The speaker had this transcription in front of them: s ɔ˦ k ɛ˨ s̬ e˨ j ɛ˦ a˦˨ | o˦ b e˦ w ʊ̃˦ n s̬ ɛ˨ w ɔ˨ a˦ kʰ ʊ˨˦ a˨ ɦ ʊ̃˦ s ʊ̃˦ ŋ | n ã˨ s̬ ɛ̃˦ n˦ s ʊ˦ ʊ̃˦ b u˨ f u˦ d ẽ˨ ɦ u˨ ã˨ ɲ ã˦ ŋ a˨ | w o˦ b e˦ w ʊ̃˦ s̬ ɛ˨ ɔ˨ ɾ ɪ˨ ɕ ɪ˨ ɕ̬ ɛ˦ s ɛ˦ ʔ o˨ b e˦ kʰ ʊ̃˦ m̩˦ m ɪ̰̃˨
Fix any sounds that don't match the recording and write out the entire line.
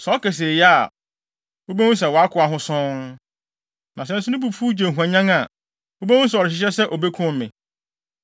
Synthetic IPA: s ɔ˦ k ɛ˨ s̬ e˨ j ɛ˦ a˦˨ | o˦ b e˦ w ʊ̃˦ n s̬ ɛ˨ w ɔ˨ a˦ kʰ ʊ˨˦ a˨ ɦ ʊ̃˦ s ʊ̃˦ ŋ | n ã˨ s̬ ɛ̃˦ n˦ s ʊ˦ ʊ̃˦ b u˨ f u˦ d͡ʑ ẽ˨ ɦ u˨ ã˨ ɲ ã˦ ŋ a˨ | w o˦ b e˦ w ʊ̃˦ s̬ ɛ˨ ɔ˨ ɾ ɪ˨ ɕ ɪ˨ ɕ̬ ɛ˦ s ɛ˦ ʔ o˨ b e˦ kʰ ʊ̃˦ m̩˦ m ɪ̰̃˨